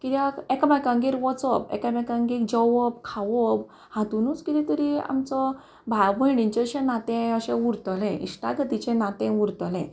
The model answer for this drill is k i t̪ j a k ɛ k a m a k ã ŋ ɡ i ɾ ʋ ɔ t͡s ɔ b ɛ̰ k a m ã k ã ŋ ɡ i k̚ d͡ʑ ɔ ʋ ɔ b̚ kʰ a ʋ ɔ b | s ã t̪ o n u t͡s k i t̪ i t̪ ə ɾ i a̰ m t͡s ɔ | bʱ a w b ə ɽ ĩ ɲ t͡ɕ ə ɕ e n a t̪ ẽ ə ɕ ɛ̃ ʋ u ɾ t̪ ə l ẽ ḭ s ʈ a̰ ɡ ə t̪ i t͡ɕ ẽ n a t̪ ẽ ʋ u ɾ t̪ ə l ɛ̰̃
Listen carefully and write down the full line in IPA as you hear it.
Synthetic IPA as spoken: k i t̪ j a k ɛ k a m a k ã ŋ ɡ i ɾ ʋ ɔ t͡s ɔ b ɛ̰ k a m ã k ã ŋ ɡ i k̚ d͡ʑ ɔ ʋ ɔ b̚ kʰ a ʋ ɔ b | h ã t̪ u n u t͡s k i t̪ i t̪ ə ɾ i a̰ m t͡s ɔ | bʱ a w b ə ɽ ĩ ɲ t͡ɕ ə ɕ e n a t̪ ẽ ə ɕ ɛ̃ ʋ u ɾ t̪ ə l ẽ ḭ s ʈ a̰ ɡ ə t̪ i t͡ɕ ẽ n a t̪ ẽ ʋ u ɾ t̪ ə l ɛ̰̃